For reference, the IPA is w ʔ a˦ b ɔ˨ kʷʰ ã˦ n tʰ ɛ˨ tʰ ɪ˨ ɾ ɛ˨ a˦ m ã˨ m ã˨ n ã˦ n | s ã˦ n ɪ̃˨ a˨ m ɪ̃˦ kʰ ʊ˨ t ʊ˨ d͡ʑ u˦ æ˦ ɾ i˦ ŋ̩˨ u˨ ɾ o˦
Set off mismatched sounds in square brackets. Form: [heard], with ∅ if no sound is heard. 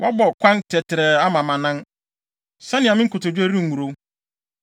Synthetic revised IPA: w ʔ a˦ b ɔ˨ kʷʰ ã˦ n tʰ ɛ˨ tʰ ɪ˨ ɾ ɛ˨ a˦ m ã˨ m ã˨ n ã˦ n | s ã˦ n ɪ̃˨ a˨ m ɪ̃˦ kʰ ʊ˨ t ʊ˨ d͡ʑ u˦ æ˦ ɾ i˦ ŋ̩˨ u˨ ɾ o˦

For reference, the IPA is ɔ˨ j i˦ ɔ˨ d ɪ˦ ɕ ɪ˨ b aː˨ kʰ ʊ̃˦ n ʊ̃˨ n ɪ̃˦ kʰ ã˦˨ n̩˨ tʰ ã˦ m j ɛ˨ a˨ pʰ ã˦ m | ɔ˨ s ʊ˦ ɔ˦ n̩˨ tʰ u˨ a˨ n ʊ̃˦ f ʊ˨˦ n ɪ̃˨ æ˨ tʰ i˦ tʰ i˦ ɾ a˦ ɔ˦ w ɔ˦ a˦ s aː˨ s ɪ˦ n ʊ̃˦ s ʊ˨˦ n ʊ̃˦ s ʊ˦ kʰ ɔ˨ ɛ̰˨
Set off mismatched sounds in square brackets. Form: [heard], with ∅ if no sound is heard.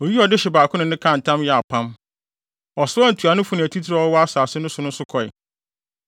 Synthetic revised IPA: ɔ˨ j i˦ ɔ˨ d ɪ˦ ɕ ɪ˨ b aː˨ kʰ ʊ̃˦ n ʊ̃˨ n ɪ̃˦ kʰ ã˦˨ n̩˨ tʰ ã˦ m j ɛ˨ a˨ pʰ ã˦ m | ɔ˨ s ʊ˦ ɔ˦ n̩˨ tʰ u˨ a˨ n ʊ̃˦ f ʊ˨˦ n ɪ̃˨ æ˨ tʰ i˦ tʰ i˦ ɾ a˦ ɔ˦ w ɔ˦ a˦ s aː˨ s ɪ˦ n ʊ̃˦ s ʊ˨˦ n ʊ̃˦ s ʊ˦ kʰ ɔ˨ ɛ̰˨

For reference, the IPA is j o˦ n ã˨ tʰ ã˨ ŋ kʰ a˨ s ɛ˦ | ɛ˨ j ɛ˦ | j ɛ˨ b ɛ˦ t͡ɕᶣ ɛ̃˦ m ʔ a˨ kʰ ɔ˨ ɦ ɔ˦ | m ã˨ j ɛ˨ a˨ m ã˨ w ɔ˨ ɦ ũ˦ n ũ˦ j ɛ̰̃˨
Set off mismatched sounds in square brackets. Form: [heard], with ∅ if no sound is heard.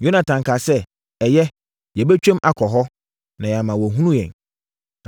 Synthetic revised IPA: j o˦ n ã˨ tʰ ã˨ ŋ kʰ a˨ s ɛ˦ | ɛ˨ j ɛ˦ | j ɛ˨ b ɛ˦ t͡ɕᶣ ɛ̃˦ m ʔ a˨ kʰ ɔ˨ ɦ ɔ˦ | [n] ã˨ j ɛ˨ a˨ m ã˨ w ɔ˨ ɦ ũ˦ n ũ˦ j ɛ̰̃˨

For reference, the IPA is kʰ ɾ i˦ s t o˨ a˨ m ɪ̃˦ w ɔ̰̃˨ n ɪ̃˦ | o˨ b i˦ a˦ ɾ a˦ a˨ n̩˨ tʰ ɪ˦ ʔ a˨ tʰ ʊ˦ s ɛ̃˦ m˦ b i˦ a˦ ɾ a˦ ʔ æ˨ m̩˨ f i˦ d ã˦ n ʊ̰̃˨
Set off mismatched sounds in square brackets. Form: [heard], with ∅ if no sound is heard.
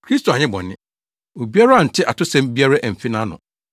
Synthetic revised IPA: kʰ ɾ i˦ s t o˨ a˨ [ɲ] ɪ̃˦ [b] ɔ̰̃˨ n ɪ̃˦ | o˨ b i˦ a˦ ɾ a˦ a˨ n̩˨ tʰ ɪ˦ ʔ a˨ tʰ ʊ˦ s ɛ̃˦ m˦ b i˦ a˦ ɾ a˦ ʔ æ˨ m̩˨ f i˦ [n] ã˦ n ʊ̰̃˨

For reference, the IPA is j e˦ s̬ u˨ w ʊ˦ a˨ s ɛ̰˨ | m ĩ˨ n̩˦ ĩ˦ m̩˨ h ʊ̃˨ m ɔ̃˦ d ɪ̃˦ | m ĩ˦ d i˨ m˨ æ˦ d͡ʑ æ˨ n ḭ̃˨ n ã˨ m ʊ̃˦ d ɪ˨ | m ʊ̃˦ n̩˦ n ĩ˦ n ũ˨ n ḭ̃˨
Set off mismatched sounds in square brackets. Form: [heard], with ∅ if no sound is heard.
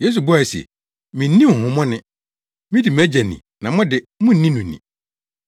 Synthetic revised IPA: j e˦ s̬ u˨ [b] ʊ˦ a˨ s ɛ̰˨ | m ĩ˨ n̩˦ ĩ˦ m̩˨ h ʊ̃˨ m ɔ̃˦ [n] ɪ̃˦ | m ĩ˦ d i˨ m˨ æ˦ d͡ʑ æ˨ n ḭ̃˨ n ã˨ m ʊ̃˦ d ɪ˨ | m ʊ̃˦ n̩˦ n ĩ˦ n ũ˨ n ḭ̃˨

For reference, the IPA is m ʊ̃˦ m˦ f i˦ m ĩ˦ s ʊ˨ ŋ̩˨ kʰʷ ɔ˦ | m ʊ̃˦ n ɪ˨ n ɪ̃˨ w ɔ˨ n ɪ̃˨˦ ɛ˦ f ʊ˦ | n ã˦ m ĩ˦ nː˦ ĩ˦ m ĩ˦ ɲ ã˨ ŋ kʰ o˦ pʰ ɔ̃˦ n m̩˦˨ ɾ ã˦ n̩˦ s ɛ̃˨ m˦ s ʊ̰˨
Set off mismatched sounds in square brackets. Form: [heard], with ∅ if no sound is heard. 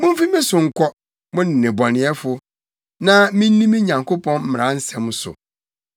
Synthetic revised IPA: m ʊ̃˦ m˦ f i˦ m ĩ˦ s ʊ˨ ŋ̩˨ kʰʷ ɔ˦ | m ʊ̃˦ n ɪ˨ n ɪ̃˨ [b] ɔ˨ n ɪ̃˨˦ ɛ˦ f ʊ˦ | n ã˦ m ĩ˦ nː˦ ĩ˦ m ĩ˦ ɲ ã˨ ŋ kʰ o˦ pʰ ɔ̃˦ n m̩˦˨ ɾ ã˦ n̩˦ s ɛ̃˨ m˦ s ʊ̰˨

